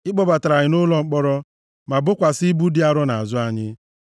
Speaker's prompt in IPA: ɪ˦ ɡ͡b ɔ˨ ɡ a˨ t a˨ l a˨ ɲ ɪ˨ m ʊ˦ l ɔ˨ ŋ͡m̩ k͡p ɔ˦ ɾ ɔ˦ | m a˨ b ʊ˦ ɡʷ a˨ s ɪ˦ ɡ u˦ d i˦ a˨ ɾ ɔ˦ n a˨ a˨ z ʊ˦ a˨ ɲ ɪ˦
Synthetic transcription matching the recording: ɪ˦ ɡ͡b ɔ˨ b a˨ t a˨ ɾ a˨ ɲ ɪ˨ n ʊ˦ l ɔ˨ ŋ͡m̩ k͡p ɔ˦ ɾ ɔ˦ | m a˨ b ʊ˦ kʷ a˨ s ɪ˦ b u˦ d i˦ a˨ ɾ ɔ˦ n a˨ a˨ z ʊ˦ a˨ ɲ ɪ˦